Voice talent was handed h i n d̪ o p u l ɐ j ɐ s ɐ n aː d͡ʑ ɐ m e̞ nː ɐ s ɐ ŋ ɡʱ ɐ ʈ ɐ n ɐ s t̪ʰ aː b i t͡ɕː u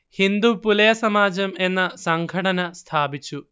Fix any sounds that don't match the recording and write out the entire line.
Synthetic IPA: h i n d̪ u p u l ɐ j ɐ s ɐ m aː d͡ʑ ɐ m e̞ nː ɐ s ɐ ŋ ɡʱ ɐ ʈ ɐ n ɐ s t̪ʰ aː b i t͡ɕː u

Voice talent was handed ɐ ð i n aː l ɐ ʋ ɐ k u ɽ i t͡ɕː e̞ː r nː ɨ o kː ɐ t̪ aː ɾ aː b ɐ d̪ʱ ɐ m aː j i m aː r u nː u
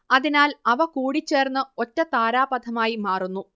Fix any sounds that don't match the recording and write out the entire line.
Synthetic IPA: ɐ ð i n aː l ɐ ʋ ɐ k uː ɽ i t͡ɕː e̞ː r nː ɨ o tː ɐ t̪ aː ɾ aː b ɐ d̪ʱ ɐ m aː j i m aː r u nː u

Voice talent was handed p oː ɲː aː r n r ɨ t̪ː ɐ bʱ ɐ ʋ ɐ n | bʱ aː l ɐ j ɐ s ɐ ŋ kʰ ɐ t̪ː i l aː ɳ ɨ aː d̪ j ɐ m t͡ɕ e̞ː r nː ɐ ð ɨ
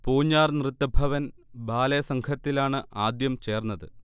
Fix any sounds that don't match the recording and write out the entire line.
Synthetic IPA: p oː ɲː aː r n r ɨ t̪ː ɐ bʱ ɐ ʋ ɐ n | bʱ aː l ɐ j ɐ s ɐ ŋ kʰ ɐ t̪ː i l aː ɳ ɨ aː d̪ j ɐ m t͡ɕ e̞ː r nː ɐ ð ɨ

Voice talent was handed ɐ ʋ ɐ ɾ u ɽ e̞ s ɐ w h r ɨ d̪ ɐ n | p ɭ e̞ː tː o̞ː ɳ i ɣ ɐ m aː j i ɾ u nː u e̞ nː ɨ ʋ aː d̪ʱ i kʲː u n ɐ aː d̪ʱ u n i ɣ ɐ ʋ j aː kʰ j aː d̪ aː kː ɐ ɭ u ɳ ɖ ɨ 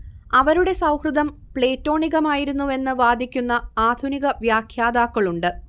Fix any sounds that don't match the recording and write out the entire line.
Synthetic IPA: ɐ ʋ ɐ ɾ u ɽ e̞ s ɐ w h r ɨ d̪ ɐ m | p ɭ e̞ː tː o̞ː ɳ i ɣ ɐ m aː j i ɾ u nː u e̞ nː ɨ ʋ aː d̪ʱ i kʲː u nː ɐ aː d̪ʱ u n i ɣ ɐ ʋ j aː kʰ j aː d̪ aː kː ɐ ɭ u ɳ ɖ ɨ

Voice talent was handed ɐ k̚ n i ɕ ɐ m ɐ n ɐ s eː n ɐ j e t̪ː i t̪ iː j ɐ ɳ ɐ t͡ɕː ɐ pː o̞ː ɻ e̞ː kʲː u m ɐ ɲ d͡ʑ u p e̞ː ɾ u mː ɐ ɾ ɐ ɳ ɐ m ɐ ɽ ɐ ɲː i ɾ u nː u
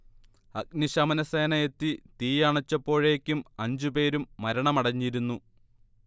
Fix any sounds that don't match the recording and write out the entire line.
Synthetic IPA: ɐ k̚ n i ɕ ɐ m ɐ n ɐ s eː n ɐ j e t̪ː i t̪ iː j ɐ ɳ ɐ t͡ɕː ɐ pː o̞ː ɻ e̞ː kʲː u m ɐ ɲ d͡ʑ u p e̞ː ɾ u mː ɐ ɾ ɐ ɳ ɐ m ɐ ɽ ɐ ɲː i ɾ u nː u

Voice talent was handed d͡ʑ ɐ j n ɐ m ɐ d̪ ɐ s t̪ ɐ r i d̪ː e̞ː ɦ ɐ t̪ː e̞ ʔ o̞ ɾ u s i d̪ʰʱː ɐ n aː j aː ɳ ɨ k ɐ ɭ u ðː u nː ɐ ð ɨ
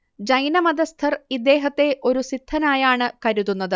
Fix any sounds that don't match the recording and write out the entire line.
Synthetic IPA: d͡ʑ ɐ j n ɐ m ɐ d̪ ɐ s t̪ʰ ɐ r i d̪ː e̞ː ɦ ɐ t̪ː e̞ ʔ o̞ ɾ u s i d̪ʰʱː ɐ n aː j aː ɳ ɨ k ɐ ɾ u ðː u nː ɐ ð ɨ

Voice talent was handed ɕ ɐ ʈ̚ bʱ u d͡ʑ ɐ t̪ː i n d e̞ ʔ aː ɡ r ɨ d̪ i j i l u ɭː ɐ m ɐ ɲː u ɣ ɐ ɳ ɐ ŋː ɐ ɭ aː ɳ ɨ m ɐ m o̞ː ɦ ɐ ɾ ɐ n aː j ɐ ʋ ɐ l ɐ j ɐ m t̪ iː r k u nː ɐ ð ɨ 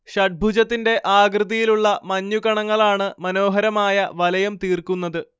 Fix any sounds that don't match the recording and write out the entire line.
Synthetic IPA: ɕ ɐ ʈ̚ bʱ u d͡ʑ ɐ t̪ː i n d e̞ ʔ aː ɡ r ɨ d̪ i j i l u ɭː ɐ m ɐ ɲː u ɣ ɐ ɳ ɐ ŋː ɐ ɭ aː ɳ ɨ m ɐ n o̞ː ɦ ɐ ɾ ɐ m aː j ɐ ʋ ɐ l ɐ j ɐ m t̪ iː r k u nː ɐ ð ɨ

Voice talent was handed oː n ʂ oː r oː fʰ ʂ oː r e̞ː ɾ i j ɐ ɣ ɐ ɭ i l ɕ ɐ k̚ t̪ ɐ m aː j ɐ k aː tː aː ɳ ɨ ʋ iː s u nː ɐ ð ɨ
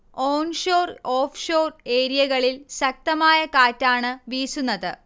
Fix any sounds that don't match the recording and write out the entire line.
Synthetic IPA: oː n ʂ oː r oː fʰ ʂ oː r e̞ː ɾ i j ɐ ɣ ɐ ɭ i l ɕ ɐ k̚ t̪ ɐ m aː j ɐ k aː tː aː ɳ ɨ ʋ iː s u nː ɐ ð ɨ

